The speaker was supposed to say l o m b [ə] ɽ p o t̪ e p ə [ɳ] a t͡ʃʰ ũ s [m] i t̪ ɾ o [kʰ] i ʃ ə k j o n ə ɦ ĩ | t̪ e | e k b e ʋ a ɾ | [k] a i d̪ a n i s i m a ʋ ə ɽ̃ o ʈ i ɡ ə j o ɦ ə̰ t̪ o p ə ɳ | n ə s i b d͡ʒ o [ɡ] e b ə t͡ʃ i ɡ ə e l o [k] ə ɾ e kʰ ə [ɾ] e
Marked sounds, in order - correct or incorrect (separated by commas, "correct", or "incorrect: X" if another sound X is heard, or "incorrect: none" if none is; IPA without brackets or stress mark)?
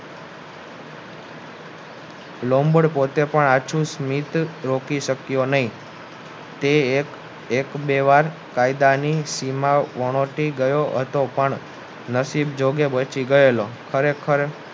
correct, correct, correct, incorrect: k, correct, correct, incorrect: kʰ, correct